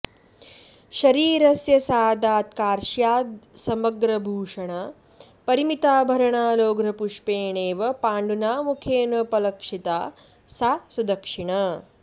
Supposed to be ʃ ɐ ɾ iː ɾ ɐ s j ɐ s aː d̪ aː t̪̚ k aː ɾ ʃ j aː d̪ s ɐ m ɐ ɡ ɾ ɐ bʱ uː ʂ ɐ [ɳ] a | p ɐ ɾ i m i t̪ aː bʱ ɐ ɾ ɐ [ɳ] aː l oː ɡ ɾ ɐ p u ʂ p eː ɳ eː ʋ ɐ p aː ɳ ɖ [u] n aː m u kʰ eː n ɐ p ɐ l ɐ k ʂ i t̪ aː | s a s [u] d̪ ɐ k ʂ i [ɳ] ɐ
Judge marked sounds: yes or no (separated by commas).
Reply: yes, yes, yes, yes, yes